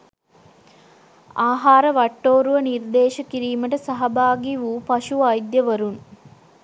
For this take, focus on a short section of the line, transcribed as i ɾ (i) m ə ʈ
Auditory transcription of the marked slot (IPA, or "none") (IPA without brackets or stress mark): iː